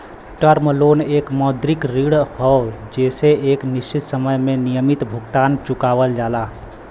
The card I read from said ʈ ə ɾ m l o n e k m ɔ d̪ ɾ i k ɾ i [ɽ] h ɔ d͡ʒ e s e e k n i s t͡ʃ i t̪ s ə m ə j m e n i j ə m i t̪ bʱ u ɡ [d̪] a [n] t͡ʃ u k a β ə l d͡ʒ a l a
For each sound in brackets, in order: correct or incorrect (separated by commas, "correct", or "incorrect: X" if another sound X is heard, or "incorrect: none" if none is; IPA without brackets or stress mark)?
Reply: correct, incorrect: t̪, correct